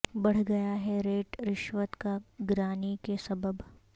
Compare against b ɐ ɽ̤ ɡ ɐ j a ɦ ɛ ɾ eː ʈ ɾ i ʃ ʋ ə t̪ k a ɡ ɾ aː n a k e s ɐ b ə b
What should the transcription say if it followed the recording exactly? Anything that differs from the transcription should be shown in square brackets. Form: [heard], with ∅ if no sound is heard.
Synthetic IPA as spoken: b ɐ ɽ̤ ɡ ɐ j a ɦ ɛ ɾ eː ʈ ɾ [ɪ] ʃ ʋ ə t̪ k a ɡ ɾ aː n [i] k e s ɐ b ə b